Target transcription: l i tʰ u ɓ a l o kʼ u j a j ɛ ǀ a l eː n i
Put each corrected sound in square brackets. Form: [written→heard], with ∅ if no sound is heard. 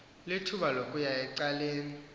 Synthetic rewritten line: l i tʰ u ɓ a l o kʼ u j a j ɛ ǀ a l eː n i